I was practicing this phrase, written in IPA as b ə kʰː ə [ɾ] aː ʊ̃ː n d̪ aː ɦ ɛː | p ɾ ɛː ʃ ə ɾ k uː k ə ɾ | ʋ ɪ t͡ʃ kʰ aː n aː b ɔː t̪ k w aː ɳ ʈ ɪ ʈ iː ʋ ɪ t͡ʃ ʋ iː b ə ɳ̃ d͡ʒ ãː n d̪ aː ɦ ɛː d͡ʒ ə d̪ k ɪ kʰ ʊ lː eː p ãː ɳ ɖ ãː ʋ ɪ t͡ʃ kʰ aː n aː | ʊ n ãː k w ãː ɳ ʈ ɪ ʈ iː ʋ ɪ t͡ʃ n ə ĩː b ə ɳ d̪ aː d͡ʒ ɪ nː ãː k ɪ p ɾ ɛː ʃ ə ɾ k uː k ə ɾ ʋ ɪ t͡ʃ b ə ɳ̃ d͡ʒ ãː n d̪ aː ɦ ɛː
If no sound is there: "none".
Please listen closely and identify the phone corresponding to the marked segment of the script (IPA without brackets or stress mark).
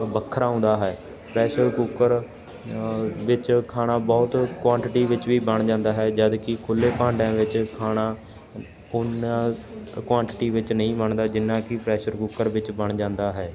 ɾ